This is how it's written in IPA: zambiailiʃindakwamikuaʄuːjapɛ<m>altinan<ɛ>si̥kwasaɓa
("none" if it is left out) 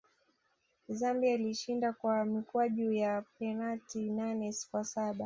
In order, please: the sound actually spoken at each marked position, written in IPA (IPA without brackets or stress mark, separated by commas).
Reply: n, ɛ